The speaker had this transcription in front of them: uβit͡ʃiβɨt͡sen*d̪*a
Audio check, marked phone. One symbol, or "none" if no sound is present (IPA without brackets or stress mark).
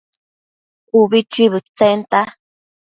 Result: t̪